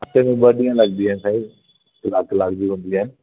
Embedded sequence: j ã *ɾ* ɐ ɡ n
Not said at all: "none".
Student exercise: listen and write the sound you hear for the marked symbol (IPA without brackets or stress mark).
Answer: l